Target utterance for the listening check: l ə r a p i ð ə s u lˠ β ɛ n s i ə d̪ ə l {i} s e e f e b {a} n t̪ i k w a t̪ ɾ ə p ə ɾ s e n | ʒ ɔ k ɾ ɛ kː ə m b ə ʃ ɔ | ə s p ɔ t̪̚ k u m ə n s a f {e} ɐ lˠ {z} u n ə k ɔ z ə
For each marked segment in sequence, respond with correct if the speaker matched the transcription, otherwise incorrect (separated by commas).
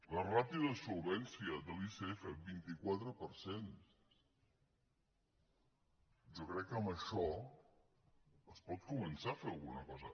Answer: correct, incorrect, correct, incorrect